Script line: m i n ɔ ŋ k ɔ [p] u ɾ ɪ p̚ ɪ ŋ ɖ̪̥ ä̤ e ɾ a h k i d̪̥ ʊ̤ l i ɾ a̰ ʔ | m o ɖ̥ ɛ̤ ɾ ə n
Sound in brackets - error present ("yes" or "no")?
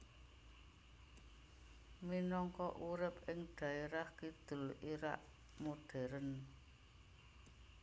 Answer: yes